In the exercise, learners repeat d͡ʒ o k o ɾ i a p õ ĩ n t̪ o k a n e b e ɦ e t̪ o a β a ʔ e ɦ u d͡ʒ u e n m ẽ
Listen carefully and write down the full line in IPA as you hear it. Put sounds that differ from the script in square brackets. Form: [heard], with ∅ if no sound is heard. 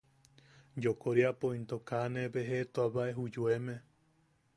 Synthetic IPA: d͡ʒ o k o ɾ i a p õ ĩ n t̪ o k a n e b e ɦ e t̪ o a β a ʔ e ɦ u d͡ʒ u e [∅] m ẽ